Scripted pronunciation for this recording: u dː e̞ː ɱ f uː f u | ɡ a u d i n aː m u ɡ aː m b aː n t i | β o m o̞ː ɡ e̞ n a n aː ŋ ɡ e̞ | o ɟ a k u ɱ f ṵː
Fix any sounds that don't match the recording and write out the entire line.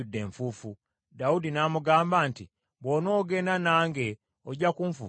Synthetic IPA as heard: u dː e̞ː ɱ f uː f u | d a u d i n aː m u ɡ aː m b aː n t i | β o n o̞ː ɡ e̞ n a n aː ŋ ɡ e̞ | o ɟ a k u ɱ f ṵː